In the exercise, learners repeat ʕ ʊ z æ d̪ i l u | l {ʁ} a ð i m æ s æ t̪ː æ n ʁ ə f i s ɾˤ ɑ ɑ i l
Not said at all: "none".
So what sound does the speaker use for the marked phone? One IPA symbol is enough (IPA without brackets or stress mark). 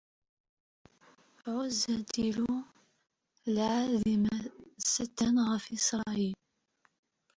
ʕ